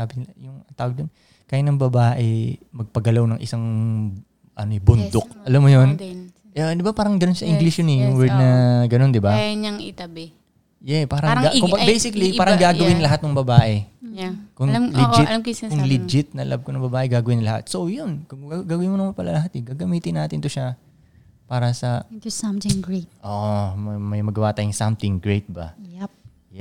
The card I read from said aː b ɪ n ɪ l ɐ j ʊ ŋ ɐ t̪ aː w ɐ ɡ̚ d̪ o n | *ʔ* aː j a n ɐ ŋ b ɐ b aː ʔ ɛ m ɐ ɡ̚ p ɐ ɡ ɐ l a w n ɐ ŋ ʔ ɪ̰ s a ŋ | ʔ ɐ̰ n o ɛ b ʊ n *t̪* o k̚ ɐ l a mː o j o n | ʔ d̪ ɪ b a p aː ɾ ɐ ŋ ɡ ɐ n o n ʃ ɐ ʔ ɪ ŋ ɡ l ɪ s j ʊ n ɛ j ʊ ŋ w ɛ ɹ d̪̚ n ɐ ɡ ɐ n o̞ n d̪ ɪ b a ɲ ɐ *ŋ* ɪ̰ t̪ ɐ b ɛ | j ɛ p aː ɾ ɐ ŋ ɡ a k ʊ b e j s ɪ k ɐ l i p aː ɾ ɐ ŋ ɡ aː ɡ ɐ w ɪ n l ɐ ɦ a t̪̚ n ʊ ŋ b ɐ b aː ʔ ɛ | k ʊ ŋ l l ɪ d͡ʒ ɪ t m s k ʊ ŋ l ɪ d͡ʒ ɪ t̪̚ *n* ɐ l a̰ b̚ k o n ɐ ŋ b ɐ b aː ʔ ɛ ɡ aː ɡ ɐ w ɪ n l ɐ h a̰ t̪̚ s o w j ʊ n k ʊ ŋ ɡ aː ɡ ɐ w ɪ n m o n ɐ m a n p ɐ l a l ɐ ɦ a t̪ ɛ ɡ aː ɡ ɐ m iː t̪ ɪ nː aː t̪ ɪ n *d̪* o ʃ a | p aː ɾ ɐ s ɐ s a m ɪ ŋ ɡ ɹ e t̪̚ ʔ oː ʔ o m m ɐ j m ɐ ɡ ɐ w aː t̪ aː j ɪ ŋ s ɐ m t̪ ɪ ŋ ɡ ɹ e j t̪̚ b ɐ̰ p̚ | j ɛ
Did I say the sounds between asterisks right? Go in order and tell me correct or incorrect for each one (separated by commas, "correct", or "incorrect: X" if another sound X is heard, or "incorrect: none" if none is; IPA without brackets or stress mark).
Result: incorrect: k, incorrect: d̪, correct, correct, incorrect: t̪